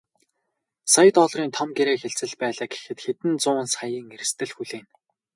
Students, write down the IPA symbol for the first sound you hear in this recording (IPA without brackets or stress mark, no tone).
s